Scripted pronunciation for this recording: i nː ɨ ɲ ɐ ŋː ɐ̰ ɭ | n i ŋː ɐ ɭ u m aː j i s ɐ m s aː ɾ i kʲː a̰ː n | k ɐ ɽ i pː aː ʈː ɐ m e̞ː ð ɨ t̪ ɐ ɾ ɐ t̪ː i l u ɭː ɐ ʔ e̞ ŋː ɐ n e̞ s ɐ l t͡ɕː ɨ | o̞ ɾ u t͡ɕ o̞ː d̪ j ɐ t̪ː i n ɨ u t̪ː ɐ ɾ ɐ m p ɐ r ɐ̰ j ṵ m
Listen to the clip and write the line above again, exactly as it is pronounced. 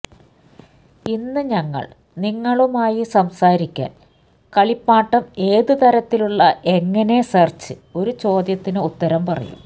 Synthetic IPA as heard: i nː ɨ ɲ ɐ ŋː ɐ̰ ɭ | n i ŋː ɐ ɭ u m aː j i s ɐ m s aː ɾ i kʲː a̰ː n | k ɐ ɭ i pː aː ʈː ɐ m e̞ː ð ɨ t̪ ɐ ɾ ɐ t̪ː i l u ɭː ɐ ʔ e̞ ŋː ɐ n e̞ s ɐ r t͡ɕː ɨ | o̞ ɾ u t͡ɕ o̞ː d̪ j ɐ t̪ː i n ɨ u t̪ː ɐ ɾ ɐ m p ɐ r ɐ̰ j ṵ m